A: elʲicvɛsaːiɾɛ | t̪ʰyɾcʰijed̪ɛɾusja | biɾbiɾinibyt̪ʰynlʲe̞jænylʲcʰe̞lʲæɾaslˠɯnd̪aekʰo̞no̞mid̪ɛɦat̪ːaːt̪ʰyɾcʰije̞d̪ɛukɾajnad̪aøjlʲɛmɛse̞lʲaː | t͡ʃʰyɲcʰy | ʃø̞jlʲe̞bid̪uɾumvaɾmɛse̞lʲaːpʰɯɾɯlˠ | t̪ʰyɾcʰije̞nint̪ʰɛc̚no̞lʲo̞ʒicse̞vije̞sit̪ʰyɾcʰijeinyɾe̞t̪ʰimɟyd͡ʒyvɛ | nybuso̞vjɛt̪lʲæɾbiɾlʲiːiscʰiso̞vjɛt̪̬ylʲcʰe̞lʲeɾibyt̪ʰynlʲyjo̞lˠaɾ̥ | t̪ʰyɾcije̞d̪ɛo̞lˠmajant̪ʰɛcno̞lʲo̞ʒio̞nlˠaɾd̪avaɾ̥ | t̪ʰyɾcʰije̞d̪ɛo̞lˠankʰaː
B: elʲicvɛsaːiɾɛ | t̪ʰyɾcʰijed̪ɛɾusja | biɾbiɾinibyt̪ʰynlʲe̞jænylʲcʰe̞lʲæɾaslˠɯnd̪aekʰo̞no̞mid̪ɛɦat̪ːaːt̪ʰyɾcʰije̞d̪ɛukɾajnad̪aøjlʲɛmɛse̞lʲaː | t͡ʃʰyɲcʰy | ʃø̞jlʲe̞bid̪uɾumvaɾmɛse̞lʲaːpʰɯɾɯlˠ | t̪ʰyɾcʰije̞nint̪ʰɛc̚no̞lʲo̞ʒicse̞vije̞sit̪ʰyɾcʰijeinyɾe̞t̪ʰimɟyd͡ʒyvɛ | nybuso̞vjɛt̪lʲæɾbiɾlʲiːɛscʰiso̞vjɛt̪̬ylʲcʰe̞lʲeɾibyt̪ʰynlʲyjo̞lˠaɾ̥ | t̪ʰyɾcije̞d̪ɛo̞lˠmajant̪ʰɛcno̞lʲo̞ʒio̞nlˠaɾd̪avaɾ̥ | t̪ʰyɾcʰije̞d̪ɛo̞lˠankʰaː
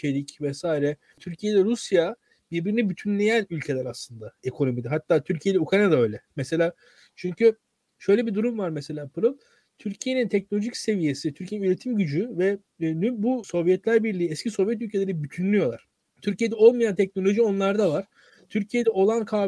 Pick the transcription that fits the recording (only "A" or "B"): B